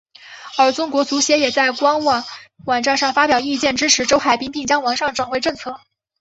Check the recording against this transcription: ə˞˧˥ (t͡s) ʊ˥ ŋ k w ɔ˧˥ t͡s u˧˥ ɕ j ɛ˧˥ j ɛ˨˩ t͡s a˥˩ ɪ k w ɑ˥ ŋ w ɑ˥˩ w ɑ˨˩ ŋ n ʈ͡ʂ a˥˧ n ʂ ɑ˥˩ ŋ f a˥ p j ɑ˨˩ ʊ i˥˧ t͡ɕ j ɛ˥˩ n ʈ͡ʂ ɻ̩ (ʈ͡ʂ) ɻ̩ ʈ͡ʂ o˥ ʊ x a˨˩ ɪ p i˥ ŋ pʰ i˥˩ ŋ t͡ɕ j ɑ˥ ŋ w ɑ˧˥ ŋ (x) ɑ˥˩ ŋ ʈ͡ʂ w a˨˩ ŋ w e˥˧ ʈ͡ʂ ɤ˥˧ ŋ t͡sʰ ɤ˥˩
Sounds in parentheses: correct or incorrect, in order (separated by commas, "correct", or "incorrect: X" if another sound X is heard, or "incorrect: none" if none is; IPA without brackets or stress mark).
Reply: correct, incorrect: ʈ͡ʂʰ, incorrect: ʂ